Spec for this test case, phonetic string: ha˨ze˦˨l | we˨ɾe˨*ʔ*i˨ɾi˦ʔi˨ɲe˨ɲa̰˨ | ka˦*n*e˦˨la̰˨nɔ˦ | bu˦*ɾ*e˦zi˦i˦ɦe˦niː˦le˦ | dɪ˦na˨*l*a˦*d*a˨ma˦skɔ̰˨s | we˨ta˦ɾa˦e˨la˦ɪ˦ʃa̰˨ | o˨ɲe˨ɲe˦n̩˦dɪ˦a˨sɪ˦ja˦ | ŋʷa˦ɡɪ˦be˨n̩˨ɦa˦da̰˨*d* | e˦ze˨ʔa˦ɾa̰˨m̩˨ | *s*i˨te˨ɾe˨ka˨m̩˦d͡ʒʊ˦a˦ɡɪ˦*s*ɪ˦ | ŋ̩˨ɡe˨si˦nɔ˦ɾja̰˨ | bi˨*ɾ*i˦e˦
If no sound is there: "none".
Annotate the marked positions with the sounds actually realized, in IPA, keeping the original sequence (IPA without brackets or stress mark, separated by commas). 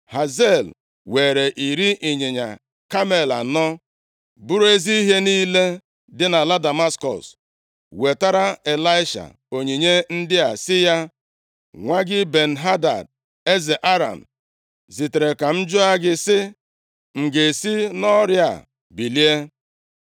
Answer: ʔ, m, ɾ, l, d, d, z, s, l